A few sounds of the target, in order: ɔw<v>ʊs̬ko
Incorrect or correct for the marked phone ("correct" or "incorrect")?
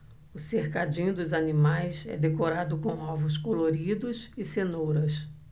correct